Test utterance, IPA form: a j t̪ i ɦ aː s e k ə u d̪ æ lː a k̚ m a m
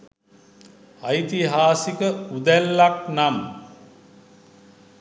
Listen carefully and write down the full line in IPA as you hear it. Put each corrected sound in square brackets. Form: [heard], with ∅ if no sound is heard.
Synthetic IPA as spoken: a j t̪ i ɦ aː s [i] k ə u d̪ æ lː a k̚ [n] a m